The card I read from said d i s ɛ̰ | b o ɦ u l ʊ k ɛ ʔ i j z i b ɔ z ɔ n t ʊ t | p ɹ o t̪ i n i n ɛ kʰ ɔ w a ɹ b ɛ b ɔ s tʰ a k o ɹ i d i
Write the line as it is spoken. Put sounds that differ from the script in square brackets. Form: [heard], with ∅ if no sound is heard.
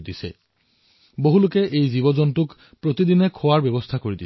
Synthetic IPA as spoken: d i s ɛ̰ | b o ɦ u l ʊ k ɛ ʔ [e] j z i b ɔ z ɔ n t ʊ [k] | p ɹ o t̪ i [d] i n ɛ kʰ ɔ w a ɹ b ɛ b ɔ s tʰ a k o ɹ i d i